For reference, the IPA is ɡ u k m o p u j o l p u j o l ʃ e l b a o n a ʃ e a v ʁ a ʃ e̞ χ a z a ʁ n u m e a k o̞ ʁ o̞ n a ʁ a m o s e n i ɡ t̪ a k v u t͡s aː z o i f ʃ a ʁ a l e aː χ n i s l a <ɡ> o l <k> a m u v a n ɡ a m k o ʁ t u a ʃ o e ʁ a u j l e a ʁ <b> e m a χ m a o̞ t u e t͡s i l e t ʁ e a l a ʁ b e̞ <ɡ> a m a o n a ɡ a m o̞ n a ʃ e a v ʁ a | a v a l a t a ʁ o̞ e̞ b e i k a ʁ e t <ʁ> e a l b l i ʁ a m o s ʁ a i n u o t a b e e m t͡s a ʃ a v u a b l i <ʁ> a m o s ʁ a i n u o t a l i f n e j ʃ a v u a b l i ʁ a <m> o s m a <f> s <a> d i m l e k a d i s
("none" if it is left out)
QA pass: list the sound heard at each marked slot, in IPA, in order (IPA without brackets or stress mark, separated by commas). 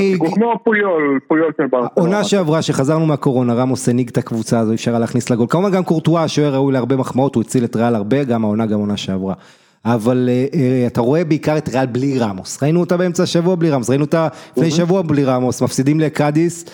ɡ, k, b, ɡ, ʁ, ʁ, m, f, i